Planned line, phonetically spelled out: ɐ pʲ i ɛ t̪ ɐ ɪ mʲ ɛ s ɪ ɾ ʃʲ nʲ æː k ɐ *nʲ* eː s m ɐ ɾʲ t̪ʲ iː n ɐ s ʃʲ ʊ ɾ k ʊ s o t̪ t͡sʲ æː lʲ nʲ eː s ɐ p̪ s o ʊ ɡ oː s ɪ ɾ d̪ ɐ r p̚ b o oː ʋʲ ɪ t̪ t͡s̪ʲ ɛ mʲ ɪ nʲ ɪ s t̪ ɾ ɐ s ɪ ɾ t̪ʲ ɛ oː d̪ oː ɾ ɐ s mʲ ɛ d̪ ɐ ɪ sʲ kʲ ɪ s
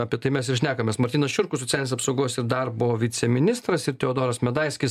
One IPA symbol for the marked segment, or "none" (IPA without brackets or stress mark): mʲ